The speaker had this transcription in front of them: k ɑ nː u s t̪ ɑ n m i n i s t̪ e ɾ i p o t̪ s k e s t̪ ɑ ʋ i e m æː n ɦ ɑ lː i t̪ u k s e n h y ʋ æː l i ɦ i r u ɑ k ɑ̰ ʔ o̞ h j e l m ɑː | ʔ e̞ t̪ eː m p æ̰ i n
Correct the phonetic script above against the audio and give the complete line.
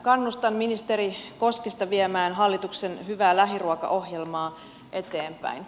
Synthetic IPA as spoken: k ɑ nː u s t̪ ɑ n m i n i s t̪ e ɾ i k o s k e s t̪ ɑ ʋ i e m æː n ɦ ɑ lː i t̪ u k s e n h y ʋ æː l æ ɦ i r u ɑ k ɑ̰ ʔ o̞ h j e l m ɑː | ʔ e̞ t̪ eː m p æ̰ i n